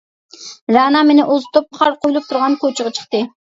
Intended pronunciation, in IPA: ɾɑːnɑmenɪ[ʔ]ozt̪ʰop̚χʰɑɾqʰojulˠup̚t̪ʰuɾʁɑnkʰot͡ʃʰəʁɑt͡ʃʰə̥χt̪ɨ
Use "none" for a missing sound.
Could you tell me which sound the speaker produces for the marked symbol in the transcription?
ʔ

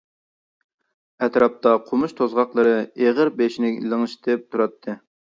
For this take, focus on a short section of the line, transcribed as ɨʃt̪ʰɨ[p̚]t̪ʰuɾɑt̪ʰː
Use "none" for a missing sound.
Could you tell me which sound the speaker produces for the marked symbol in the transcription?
p̚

